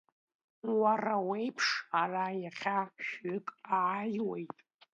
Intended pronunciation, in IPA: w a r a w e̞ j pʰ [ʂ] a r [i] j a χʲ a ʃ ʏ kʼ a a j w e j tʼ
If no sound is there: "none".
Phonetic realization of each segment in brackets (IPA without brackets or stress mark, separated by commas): ʂ, a